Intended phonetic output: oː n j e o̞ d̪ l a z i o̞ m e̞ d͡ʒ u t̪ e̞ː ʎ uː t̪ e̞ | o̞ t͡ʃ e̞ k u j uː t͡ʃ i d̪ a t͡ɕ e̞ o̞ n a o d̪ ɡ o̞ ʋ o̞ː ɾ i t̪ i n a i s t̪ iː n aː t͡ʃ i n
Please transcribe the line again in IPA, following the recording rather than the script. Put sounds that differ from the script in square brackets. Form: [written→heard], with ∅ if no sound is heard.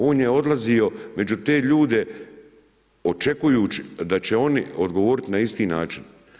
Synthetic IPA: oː n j e o̞ d̪ l a z i o̞ m e̞ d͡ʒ u t̪ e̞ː ʎ uː [t̪→d̪] e̞ | o̞ t͡ʃ e̞ k u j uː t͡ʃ i d̪ a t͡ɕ e̞ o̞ n [a→i] o d̪ ɡ o̞ ʋ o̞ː ɾ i t̪ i n a i s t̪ iː n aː t͡ʃ i n